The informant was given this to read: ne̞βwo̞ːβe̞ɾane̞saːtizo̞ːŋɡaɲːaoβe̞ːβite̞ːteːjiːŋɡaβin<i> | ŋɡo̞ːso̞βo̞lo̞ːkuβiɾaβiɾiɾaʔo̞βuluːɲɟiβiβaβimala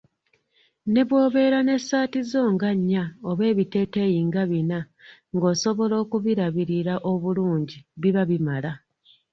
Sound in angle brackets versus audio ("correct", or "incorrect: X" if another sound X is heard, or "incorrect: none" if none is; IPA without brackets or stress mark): incorrect: a